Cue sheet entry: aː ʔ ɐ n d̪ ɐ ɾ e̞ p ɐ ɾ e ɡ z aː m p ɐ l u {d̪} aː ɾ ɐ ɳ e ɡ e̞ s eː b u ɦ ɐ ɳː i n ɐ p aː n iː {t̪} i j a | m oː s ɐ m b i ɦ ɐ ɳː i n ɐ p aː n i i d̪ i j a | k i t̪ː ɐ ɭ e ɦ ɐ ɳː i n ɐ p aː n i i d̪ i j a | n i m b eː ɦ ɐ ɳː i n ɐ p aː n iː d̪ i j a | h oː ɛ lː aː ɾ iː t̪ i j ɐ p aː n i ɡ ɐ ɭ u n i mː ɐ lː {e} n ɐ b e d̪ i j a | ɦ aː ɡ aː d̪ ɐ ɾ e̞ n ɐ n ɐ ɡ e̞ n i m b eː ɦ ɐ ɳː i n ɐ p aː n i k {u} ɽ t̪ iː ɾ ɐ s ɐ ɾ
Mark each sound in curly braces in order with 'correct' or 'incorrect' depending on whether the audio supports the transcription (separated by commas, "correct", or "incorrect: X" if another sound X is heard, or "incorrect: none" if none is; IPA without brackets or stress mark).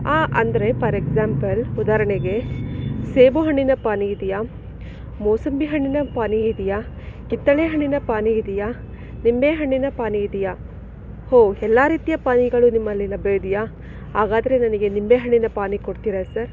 correct, incorrect: d̪, incorrect: i, incorrect: o